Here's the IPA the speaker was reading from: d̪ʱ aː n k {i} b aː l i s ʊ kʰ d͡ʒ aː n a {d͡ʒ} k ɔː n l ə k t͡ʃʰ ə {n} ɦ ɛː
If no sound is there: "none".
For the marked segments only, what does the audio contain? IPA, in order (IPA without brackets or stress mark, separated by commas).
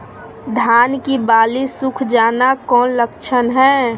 i, none, n